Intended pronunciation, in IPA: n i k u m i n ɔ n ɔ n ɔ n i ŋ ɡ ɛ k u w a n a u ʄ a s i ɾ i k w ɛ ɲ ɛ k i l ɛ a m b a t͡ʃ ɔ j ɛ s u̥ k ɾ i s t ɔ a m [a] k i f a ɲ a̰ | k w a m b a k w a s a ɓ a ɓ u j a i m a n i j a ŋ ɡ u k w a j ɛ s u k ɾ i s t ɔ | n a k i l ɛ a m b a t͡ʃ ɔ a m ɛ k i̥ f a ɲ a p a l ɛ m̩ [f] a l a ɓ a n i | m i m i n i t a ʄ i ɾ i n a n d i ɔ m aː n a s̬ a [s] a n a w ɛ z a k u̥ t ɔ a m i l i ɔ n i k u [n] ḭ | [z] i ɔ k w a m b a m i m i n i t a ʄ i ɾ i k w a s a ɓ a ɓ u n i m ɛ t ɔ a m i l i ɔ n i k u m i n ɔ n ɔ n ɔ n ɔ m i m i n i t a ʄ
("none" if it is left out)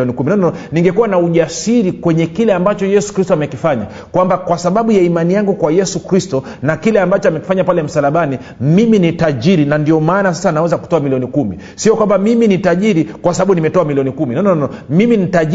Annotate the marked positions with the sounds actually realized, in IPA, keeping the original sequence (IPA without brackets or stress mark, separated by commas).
ɛ, s, s, m, s